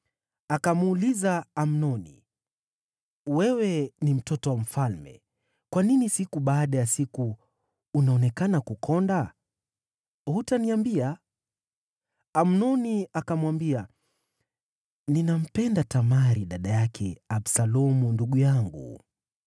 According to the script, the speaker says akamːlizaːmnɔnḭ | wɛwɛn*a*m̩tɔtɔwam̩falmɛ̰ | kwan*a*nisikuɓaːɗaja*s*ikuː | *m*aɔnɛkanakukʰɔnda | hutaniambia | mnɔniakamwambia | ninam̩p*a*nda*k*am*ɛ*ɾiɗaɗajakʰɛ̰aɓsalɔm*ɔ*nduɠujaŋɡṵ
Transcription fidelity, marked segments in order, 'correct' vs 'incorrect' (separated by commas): incorrect, incorrect, correct, incorrect, incorrect, incorrect, incorrect, incorrect